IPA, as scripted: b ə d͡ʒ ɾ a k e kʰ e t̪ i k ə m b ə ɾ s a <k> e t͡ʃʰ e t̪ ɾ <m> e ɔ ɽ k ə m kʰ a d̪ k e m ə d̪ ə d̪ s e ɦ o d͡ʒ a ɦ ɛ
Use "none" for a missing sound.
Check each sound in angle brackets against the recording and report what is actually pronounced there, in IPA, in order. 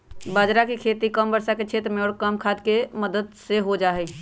k, m

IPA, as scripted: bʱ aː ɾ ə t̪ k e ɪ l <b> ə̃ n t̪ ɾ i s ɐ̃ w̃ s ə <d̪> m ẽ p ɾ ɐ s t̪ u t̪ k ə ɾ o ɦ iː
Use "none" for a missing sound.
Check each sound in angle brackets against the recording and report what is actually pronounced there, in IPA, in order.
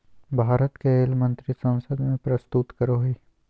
m, d̪

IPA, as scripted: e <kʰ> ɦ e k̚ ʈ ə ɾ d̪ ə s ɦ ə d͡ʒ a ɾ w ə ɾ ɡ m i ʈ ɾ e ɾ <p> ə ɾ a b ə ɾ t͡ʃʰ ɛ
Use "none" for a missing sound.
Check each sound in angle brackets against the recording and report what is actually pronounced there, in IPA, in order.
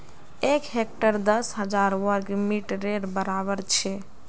k, b

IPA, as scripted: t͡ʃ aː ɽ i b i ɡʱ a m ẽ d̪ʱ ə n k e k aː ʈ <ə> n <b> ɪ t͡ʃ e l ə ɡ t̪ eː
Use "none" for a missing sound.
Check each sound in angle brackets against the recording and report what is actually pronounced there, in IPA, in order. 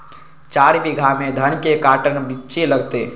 ə, b

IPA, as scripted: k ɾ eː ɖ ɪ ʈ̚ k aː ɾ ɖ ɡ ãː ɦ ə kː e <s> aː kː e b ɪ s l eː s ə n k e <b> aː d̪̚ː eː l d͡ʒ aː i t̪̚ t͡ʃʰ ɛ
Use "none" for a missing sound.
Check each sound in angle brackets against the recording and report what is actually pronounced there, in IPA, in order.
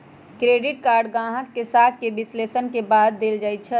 s, b

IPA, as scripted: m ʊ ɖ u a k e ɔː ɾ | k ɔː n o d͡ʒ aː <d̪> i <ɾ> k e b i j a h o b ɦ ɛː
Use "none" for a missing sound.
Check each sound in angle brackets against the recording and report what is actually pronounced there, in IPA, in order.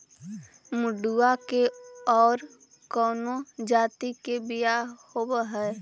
t̪, none

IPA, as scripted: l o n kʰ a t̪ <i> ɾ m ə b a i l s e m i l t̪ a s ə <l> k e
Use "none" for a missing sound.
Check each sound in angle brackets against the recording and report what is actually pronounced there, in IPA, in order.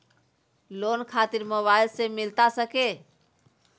i, none

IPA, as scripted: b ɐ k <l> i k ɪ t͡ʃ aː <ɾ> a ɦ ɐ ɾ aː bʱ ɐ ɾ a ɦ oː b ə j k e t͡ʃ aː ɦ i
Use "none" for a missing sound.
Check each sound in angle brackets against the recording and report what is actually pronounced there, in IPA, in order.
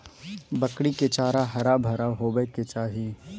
ɽ, ɾ

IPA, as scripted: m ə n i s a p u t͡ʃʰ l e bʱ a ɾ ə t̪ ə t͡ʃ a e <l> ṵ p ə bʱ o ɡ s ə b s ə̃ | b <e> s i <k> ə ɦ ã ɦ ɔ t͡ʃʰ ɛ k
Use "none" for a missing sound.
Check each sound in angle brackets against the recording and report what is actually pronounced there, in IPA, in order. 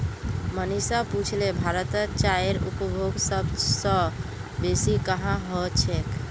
ɾ, e, k

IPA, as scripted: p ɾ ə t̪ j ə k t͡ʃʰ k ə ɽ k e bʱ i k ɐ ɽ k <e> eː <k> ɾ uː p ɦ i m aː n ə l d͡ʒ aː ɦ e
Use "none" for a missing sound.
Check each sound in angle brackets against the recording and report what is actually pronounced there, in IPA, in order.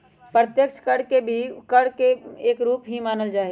e, k

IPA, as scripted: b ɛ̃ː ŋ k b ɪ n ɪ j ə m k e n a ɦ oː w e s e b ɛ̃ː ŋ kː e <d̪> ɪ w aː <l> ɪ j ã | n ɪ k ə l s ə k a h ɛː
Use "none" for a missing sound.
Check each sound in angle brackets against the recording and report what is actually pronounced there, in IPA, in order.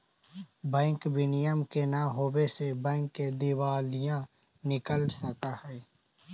d̪, l

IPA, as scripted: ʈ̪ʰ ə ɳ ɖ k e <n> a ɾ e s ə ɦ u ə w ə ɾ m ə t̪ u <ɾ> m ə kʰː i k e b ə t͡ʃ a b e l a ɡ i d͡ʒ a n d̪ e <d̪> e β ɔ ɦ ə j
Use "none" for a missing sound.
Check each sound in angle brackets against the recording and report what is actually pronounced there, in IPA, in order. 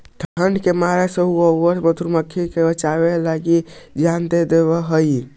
m, ɾ, d̪

